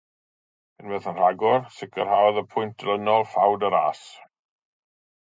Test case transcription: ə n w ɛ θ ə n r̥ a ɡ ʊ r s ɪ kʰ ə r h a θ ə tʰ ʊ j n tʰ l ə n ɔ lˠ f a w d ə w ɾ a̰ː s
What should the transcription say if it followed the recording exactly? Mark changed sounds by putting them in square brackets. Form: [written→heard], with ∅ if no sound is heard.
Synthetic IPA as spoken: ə n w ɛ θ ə n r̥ a ɡ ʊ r s ɪ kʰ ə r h a [θ→ð] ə [tʰ→pʰ] ʊ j n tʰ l ə n ɔ lˠ f a w d ə [w→∅] ɾ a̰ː s